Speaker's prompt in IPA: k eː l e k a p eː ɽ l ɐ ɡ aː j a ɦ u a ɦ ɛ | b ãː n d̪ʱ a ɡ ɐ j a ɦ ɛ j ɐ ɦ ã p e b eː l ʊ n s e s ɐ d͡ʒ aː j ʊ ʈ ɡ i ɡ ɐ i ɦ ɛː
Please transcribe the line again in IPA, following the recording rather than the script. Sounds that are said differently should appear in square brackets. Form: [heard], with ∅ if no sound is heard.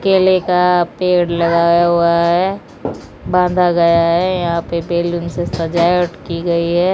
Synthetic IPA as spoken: k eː l e k a p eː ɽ l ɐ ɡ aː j a ɦ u a ɦ ɛ | b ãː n d̪ʱ a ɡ ɐ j a ɦ ɛ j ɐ ɦ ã p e b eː l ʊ n s e s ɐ d͡ʒ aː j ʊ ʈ [k] i ɡ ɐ i ɦ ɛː